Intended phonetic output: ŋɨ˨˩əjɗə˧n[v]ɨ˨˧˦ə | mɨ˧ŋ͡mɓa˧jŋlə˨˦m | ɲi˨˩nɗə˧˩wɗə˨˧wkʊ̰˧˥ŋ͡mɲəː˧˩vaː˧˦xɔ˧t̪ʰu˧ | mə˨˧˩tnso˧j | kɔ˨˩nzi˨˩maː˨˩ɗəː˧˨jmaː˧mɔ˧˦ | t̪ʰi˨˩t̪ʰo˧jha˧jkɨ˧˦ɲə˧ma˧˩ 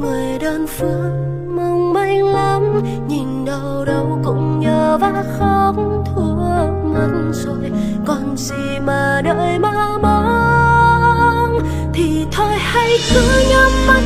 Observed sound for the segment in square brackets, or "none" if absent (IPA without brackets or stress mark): f